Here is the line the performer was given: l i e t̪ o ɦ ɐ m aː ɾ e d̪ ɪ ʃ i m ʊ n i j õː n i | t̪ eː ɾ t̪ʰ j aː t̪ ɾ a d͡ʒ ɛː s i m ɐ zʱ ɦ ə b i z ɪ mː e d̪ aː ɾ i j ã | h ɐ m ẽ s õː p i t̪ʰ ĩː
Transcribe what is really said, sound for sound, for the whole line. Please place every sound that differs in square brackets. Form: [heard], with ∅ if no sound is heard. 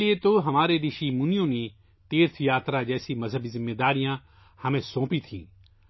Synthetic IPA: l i e t̪ o ɦ ɐ m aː ɾ e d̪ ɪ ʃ i m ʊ n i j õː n i | t̪ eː ɾ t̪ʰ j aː t̪ ɾ a d͡ʒ ɛː s i m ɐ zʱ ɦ ə b i z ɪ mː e d̪ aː ɾ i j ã | h ɐ m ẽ s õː p i t̪ʰ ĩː